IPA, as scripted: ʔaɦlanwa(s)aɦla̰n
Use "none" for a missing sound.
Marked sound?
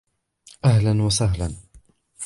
s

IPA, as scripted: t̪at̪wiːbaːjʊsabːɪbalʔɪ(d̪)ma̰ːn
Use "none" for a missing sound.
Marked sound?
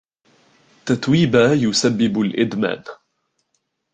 d̪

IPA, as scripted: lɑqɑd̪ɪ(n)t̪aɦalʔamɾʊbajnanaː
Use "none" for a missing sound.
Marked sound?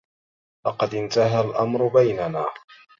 n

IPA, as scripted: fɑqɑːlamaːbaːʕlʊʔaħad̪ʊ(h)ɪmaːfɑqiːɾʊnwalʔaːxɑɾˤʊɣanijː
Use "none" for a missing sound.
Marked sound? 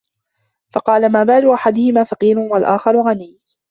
h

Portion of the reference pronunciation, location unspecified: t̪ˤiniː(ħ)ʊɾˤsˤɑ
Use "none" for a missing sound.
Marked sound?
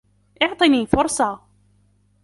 f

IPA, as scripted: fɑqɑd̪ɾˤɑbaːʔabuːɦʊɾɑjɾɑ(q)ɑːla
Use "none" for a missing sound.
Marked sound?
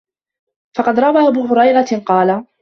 q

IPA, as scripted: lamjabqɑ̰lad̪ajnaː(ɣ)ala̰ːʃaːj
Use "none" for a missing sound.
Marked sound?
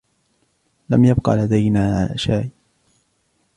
ʕ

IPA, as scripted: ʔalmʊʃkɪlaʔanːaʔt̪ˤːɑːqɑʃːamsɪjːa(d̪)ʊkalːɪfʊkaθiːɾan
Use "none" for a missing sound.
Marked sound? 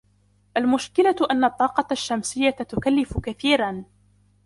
t̪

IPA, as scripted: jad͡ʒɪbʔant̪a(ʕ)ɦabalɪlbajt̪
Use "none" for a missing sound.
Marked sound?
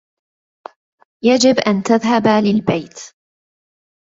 ð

